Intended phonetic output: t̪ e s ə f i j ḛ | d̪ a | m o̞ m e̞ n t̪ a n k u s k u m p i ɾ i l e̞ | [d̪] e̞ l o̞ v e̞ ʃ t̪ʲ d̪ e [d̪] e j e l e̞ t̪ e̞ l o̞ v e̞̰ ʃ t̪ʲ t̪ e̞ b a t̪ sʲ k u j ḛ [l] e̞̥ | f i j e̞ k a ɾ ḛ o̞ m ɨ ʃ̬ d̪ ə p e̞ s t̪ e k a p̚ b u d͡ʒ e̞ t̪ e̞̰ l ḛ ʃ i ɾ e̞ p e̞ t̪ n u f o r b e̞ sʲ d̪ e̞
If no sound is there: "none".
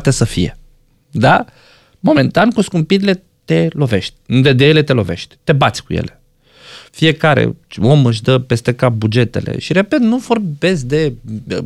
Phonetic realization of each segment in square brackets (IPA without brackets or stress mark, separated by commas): t̪, d̪, l